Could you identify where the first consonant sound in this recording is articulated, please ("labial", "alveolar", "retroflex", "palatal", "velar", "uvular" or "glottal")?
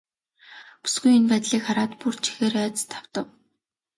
labial